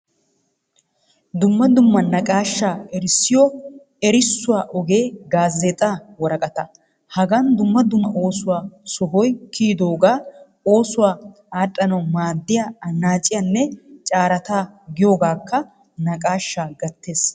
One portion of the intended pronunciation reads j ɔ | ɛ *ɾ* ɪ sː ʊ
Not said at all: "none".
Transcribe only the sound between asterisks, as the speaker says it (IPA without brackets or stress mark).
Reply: ɾ